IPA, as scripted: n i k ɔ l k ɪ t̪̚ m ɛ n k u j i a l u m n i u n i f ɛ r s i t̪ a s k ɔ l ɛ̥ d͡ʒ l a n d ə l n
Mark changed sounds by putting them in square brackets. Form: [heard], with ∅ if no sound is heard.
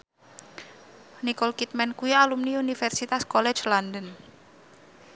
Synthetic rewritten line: n i k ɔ l k [i] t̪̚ m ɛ n k u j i a l u m n i u n i f ɛ r s i t̪ a s k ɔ l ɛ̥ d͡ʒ l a n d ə [∅] n